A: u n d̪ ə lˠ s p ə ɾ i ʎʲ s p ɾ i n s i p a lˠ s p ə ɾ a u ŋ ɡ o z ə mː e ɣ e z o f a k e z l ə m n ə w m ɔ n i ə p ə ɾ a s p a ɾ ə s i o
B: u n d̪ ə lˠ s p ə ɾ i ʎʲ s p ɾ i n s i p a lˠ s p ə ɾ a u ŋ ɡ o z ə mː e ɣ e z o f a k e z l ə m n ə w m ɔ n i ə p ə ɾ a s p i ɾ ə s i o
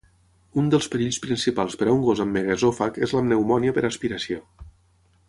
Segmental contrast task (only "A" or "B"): B